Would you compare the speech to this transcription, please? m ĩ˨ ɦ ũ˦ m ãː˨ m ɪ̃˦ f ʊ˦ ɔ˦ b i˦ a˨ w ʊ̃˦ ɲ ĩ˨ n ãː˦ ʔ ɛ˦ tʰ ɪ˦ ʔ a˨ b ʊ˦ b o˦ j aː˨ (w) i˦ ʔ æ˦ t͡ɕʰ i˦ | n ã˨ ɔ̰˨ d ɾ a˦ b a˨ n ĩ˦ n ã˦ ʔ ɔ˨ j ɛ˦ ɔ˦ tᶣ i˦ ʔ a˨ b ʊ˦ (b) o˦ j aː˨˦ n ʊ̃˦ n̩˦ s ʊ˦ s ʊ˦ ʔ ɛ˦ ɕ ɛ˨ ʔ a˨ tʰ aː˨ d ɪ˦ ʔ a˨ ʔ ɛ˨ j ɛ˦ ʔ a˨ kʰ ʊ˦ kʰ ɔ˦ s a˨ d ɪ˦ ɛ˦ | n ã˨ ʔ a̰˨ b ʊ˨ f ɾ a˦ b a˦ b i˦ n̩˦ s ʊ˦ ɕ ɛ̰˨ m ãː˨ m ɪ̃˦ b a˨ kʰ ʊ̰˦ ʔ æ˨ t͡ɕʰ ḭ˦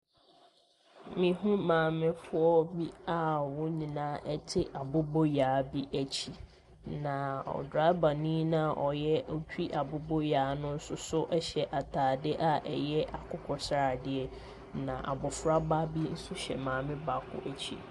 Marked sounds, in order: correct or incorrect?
incorrect, correct

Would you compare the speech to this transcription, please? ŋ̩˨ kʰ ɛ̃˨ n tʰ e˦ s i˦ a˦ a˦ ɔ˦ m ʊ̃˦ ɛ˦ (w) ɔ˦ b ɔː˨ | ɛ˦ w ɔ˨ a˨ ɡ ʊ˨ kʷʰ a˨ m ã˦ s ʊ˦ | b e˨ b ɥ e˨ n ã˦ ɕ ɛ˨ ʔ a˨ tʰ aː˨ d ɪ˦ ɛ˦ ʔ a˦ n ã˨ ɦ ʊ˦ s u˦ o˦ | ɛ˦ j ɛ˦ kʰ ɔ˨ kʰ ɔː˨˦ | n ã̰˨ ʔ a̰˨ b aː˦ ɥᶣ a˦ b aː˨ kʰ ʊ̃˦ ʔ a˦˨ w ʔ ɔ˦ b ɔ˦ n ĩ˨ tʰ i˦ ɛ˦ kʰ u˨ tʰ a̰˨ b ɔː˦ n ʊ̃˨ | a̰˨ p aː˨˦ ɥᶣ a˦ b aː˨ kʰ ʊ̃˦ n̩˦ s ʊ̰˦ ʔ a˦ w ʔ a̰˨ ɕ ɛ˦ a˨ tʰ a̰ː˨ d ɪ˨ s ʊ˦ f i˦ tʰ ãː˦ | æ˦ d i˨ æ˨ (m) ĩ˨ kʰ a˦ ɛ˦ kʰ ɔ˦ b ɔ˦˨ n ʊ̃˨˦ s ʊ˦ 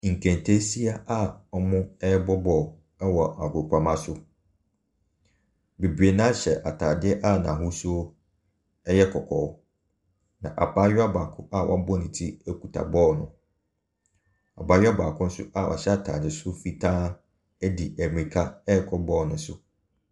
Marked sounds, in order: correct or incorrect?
incorrect, correct

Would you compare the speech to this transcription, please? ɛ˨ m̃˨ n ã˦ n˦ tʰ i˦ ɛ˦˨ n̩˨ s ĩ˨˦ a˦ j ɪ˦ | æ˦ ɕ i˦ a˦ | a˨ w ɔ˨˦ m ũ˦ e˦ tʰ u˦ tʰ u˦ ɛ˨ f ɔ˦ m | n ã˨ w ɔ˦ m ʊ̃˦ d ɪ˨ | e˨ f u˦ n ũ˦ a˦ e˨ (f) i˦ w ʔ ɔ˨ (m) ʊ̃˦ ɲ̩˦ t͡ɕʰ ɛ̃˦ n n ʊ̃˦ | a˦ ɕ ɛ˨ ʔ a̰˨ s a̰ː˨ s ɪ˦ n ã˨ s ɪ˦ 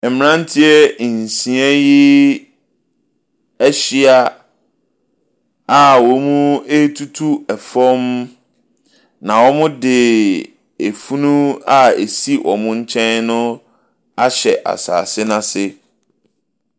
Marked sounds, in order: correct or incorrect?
incorrect, correct

